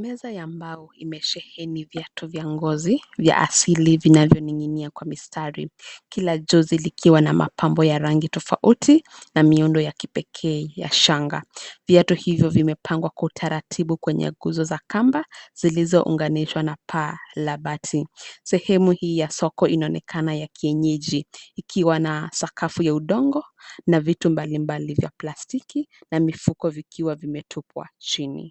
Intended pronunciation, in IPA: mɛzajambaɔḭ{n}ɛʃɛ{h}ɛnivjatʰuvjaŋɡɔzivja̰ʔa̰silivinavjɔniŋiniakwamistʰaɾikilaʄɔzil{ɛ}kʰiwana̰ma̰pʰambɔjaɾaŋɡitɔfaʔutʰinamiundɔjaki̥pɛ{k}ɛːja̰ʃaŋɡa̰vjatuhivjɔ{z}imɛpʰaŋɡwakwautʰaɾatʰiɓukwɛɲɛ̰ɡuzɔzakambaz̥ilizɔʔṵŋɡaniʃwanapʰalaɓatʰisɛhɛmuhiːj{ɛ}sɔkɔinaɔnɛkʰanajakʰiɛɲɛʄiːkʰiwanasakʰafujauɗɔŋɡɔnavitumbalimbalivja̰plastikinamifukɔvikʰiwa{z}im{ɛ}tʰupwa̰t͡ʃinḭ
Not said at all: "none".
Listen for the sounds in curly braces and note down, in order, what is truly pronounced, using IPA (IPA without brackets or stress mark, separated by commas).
m, h, i, kʰ, v, a, v, ɛ